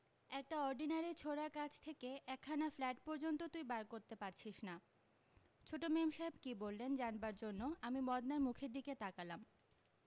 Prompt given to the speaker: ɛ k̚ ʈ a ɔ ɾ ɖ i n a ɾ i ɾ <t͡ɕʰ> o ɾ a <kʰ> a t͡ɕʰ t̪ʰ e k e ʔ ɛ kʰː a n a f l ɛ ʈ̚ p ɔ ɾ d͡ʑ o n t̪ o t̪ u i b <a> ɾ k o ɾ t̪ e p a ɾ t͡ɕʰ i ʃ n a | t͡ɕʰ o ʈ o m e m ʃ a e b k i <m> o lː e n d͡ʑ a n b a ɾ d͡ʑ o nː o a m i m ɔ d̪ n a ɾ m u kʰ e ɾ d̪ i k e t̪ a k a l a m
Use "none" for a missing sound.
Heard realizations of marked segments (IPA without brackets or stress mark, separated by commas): t͡ɕʰ, k, a, b